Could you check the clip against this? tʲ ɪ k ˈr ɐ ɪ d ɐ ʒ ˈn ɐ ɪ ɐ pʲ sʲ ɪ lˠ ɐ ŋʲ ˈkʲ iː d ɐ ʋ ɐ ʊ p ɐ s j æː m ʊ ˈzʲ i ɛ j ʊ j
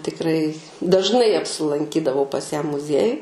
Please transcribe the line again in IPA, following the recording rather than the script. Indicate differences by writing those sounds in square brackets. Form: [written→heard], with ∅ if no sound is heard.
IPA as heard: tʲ ɪ k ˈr ɐ ɪ d ɐ ʒ ˈn ɐ ɪ ɐ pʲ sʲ ɪ lˠ ɐ ŋʲ ˈkʲ iː d ɐ ʋ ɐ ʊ p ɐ s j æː m ʊ ˈzʲ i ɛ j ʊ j